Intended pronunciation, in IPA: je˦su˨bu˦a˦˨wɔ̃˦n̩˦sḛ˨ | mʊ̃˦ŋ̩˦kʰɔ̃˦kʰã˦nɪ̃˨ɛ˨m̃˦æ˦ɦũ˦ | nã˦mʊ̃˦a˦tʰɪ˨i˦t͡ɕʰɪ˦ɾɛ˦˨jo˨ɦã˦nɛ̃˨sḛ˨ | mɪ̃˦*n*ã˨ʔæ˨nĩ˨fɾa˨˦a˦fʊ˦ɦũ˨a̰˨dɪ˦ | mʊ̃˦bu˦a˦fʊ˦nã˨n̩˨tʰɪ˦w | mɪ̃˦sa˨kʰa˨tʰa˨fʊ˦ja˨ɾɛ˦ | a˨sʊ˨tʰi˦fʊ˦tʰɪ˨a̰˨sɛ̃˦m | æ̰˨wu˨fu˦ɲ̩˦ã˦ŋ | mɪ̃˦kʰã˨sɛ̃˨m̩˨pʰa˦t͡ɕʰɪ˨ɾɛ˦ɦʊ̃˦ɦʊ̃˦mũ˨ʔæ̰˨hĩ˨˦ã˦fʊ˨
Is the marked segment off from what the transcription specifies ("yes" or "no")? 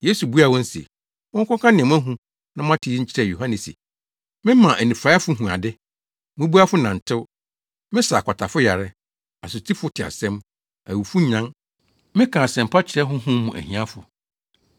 yes